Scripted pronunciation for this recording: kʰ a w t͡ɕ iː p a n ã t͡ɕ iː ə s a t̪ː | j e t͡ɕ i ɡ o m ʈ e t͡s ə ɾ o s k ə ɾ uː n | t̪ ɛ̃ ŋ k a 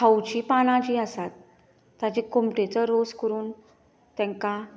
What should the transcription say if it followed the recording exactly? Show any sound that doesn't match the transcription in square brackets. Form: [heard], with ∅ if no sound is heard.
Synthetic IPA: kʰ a w t͡ɕ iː p a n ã t͡ɕ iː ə s a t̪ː | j [a] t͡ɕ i [k] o m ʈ e t͡s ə ɾ o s k ə ɾ uː n | t̪ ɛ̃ ŋ k a